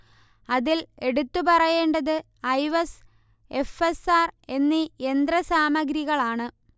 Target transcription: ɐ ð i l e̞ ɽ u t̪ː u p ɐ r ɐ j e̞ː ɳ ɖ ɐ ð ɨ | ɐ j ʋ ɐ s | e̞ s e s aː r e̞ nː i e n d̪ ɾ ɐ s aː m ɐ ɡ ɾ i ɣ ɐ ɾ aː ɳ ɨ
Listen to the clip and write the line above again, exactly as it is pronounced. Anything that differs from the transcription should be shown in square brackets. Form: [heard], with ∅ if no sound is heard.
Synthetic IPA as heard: ɐ ð i l e̞ ɽ u t̪ː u p ɐ r ɐ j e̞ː ɳ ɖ ɐ ð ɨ | ɐ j ʋ ɐ s | e̞ [f] e s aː r e̞ nː i e n d̪ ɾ ɐ s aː m ɐ ɡ ɾ i ɣ ɐ [ɭ] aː ɳ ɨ